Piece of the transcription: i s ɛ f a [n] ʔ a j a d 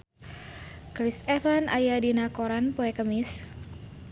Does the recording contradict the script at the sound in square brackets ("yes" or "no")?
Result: no